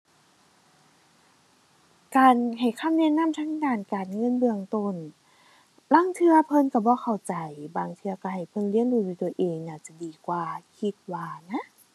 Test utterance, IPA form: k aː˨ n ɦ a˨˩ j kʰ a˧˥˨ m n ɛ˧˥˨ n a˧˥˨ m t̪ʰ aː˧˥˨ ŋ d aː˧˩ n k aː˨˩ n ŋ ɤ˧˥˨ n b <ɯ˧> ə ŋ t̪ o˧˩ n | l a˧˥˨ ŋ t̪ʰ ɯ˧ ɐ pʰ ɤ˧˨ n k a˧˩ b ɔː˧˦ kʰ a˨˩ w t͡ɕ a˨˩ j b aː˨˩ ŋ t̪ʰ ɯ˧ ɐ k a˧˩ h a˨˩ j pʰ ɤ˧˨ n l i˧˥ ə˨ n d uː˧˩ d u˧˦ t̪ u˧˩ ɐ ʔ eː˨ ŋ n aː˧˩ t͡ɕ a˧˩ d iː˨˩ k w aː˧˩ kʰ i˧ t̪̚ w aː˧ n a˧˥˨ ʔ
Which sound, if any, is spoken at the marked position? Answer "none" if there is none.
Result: ɯ˧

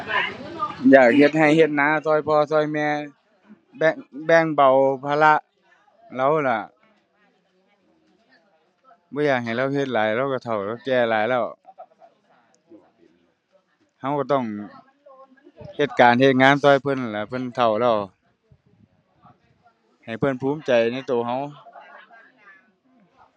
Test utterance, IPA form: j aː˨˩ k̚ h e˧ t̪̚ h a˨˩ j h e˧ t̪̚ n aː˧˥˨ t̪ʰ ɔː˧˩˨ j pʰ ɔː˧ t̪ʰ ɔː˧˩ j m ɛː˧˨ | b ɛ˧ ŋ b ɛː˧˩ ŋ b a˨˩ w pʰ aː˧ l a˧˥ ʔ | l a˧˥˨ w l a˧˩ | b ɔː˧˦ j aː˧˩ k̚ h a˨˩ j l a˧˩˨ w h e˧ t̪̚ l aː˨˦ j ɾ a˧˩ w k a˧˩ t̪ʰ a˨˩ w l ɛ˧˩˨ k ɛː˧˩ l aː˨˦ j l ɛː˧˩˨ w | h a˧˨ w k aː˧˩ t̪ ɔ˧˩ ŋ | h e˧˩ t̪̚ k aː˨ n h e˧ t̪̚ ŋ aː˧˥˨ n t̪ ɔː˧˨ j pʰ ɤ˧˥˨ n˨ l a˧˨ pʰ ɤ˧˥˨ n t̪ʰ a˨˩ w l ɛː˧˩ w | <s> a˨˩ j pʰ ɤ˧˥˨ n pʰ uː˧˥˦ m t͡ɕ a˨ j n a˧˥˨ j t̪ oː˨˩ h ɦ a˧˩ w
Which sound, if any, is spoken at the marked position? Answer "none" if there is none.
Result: h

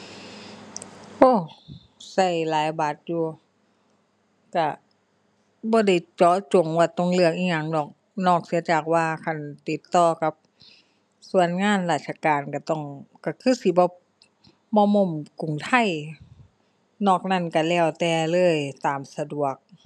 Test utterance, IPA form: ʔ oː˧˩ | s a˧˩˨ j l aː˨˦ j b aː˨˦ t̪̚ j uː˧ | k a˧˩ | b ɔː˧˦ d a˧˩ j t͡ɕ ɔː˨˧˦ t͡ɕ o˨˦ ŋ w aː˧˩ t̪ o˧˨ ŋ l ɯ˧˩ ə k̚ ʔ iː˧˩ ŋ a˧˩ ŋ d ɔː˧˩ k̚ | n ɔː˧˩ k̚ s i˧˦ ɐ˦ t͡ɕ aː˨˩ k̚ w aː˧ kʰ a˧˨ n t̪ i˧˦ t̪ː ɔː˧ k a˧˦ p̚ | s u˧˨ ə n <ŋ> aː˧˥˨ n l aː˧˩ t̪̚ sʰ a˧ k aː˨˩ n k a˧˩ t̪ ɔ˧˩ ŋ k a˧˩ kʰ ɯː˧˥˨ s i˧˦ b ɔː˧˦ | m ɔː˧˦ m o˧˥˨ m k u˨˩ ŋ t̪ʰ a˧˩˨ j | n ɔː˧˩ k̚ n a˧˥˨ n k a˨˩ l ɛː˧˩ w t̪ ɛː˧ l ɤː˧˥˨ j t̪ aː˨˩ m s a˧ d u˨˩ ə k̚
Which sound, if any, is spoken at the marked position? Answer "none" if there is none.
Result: ŋ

